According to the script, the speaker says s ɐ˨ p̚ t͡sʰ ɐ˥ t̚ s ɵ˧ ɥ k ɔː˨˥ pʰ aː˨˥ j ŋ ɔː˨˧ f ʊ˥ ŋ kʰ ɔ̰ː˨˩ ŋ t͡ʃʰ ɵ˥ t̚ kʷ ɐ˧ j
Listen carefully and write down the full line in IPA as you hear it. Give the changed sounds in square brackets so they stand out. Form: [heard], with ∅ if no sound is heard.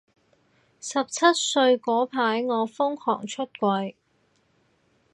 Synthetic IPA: s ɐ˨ p̚ t͡sʰ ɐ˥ t̚ s ɵ˧ ɥ k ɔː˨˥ pʰ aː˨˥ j ŋ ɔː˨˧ f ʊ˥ ŋ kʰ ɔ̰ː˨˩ ŋ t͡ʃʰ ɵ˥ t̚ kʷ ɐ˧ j